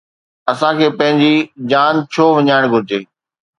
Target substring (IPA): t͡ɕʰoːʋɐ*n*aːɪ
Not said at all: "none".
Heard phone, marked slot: ɲ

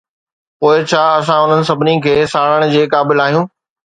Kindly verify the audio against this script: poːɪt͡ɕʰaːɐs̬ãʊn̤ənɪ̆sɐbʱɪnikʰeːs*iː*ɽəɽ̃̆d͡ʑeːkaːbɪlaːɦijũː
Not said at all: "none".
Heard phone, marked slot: aː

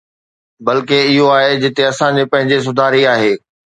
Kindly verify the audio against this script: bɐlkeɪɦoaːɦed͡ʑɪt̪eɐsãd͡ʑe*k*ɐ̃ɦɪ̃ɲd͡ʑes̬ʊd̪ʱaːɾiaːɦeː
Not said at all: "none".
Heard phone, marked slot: p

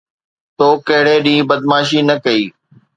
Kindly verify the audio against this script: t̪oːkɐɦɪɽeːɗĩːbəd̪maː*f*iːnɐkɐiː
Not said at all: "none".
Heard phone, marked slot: ʃ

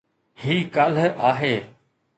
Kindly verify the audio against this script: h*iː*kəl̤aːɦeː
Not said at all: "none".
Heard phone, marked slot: iː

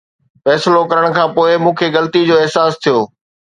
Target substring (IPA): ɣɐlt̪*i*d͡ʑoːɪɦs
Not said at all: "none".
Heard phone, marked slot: i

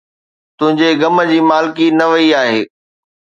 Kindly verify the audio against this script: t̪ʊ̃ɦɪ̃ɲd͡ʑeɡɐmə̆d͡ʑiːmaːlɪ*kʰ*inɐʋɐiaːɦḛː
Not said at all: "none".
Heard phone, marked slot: k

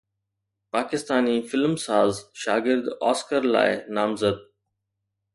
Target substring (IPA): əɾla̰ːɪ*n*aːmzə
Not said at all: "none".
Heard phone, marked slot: n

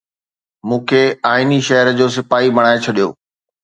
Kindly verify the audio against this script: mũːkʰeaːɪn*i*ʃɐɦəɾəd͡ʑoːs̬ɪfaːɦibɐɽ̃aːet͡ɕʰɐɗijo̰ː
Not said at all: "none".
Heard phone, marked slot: i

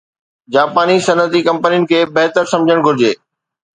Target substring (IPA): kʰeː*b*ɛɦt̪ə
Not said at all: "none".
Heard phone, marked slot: b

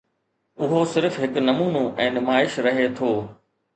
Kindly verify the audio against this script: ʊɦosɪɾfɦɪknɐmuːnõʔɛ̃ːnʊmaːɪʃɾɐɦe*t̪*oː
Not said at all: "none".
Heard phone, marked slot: t̪ʰ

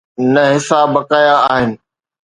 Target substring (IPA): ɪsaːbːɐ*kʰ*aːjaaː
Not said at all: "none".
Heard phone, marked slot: k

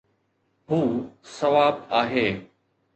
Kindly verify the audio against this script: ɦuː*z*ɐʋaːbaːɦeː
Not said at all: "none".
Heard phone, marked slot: s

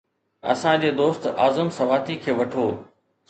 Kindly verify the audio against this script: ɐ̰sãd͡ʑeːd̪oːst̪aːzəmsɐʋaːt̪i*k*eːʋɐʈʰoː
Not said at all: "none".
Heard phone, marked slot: kʰ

